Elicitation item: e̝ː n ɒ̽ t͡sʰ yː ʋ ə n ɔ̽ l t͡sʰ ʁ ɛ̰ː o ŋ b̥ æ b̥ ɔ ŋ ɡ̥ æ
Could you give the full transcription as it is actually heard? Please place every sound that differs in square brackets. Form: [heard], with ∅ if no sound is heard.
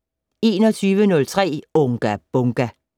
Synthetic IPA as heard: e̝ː n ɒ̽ t͡sʰ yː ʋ ə n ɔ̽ l t͡sʰ ʁ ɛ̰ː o ŋ [ɡ̥] æ b̥ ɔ ŋ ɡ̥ æ